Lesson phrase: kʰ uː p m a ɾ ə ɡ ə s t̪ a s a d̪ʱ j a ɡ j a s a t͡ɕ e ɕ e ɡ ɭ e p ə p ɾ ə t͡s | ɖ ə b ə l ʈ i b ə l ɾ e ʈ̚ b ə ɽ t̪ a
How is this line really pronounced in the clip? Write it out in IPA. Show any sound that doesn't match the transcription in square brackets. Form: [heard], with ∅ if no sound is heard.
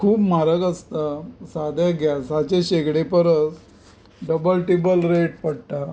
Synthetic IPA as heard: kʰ uː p m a ɾ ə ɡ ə s t̪ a s a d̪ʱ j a ɡ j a s a t͡ɕ e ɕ e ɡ [ɽ] e p ə [∅] ɾ ə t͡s | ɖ ə b ə l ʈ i b ə l ɾ e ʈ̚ [p] ə ɽ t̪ a